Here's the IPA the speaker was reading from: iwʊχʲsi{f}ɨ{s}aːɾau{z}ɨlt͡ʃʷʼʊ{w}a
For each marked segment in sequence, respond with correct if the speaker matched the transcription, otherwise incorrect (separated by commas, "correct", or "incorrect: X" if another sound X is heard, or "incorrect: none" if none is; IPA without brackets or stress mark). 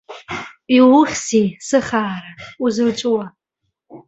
incorrect: s, incorrect: χ, correct, correct